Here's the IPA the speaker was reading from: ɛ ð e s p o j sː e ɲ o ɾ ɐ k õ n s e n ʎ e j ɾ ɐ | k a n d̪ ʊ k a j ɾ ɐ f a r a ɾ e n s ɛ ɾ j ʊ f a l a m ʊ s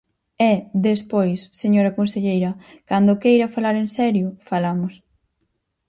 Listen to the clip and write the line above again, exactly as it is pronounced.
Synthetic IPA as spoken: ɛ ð e s p o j sː e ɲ o ɾ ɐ k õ n s e ʎ e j ɾ ɐ | k a n d̪ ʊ k e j ɾ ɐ f a l a ɾ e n s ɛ ɾ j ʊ f a l a m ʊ s